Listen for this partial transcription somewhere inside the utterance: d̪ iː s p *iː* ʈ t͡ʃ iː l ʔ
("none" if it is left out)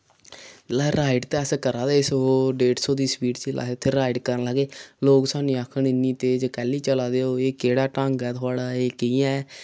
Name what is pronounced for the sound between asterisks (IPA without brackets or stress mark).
iː